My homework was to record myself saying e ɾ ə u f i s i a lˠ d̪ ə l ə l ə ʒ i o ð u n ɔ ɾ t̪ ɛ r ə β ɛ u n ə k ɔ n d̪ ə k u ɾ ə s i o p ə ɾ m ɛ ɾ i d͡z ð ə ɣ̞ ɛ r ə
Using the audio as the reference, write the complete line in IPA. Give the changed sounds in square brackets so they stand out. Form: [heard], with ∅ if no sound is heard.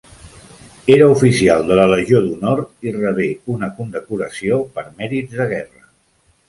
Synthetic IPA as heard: e ɾ ə u f i s i a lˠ d̪ ə l ə l ə ʒ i o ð u n ɔ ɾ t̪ [i] r ə β [e] u n ə k [u] n d̪ ə k u ɾ ə s i o p ə ɾ m ɛ ɾ i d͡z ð ə ɣ̞ ɛ r ə